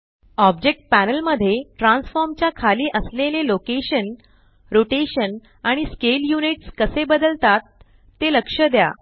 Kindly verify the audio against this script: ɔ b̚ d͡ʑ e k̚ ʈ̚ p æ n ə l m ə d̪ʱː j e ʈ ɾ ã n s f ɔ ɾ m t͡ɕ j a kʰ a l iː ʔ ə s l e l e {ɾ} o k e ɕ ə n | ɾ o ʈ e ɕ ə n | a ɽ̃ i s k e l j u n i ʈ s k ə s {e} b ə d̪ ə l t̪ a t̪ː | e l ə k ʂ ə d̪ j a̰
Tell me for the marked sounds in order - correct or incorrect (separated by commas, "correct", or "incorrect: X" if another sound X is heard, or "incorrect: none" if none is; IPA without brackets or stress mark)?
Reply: incorrect: l, correct